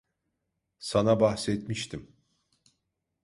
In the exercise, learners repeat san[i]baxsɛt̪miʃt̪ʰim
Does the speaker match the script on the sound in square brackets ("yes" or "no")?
no